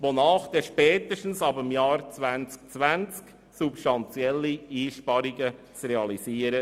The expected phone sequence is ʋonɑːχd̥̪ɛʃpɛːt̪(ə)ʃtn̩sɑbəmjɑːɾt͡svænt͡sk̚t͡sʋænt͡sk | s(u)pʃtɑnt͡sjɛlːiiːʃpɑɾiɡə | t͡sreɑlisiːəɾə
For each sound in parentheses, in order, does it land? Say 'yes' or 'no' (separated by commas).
yes, yes